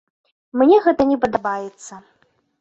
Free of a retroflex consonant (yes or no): yes